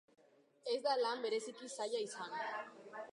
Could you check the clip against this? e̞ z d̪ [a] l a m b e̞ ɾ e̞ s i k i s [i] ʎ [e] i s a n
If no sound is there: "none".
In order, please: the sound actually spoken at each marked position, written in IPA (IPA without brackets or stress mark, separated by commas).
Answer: a, a, a